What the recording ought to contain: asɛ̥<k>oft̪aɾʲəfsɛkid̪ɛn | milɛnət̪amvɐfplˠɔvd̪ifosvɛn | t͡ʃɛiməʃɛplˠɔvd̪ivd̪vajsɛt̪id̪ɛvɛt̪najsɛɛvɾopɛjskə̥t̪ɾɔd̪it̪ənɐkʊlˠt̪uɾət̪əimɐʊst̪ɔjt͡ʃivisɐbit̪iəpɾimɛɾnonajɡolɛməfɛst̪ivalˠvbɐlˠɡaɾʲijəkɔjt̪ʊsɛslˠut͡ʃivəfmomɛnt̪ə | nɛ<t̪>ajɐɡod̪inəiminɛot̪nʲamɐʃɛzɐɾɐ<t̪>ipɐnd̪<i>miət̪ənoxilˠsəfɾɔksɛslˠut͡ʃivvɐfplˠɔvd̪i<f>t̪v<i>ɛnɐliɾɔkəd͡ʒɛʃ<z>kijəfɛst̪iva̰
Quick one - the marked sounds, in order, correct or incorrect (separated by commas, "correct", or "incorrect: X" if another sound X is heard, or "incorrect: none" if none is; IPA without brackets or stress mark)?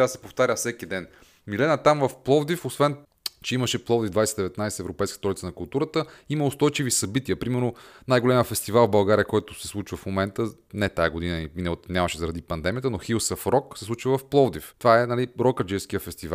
incorrect: p, correct, incorrect: d̪, incorrect: ɛ, correct, incorrect: a, incorrect: s